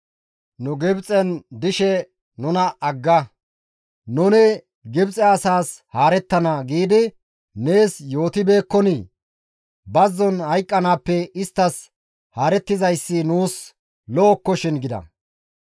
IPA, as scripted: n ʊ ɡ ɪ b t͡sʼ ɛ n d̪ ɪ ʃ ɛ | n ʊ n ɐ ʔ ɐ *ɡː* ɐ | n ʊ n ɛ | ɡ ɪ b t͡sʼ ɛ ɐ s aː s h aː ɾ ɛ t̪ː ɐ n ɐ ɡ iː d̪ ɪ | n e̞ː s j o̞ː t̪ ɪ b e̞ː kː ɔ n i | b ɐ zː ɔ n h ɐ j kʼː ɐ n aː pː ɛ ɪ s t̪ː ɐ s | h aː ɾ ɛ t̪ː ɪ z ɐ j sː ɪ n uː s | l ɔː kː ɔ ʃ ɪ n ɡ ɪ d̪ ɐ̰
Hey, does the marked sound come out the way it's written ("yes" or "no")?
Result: yes